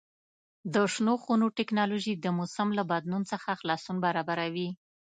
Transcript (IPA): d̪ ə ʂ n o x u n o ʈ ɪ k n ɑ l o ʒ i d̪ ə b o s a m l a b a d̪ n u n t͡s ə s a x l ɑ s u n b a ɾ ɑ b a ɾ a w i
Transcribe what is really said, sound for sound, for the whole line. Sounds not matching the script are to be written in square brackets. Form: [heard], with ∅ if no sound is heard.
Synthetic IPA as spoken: d̪ ə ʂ n o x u n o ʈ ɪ k n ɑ l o ʒ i d̪ ə [m] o s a m l a b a d̪ n u n t͡s ə [x] a x l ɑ s u n b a ɾ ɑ b a ɾ a w i